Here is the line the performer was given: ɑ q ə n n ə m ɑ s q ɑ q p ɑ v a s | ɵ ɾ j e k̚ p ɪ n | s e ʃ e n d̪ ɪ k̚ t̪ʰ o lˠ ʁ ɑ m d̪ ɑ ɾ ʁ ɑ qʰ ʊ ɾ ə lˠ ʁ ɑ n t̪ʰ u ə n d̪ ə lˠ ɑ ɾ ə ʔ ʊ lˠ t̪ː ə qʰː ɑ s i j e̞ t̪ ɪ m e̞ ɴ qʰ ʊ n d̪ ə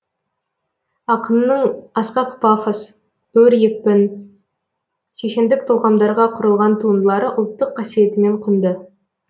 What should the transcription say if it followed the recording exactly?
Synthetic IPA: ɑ q ə n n ə ɴ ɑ s q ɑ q p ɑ f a s | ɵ ɾ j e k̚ p ɪ n | ʃ e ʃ e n d̪ ɪ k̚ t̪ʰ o lˠ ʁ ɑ m d̪ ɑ ɾ ʁ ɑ qʰ ʊ ɾ ə lˠ ʁ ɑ n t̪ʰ u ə n d̪ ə lˠ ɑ ɾ ə ʔ ʊ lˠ t̪ː ə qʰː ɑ s i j e̞ t̪ ɪ m e̞ ɴ qʰ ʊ n d̪ ə